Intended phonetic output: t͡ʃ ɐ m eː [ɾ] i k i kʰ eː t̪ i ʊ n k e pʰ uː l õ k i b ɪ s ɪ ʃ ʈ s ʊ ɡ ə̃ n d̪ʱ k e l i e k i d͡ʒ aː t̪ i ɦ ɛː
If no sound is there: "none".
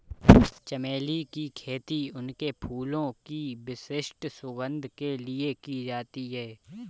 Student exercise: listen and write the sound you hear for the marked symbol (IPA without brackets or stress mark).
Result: l